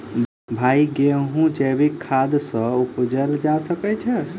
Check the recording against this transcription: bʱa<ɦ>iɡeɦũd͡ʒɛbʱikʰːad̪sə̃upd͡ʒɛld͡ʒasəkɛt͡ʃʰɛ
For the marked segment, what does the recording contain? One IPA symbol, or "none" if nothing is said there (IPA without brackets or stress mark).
none